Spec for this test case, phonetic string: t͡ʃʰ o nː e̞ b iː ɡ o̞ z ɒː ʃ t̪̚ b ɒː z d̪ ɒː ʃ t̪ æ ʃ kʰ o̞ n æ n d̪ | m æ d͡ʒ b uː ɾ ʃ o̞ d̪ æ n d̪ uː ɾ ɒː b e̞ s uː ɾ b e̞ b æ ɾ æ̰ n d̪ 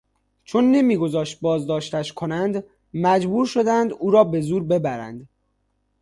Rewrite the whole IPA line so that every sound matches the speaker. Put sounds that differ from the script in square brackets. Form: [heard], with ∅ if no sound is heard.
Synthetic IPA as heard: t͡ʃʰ o nː e̞ [m] iː ɡ o̞ z ɒː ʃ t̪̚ b ɒː z d̪ ɒː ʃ t̪ æ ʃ kʰ o̞ n æ n d̪ | m æ d͡ʒ b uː ɾ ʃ o̞ d̪ æ n d̪ uː ɾ ɒː b e̞ [z] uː ɾ b e̞ b æ ɾ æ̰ n d̪